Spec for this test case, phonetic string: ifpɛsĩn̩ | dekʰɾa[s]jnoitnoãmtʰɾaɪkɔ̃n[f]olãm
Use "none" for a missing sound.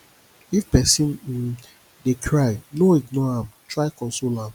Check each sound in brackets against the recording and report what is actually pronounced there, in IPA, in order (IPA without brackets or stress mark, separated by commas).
none, s